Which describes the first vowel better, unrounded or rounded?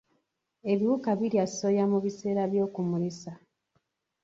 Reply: unrounded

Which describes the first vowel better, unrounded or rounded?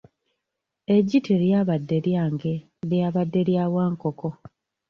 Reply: unrounded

